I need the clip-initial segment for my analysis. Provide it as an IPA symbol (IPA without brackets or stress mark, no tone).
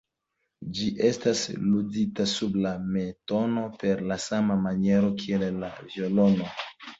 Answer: d͡ʒ